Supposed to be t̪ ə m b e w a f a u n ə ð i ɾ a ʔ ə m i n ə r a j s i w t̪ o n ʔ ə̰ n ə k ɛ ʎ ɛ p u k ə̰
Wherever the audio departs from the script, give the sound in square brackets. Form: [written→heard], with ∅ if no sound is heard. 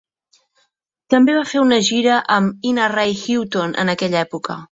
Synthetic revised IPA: t̪ ə m b e [w→β] a f [a→e] u n ə [ð→ʒ] i ɾ [a→ə] ʔ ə m i n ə r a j [s→x] i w t̪ o n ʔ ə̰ n ə k ɛ ʎ ɛ p u k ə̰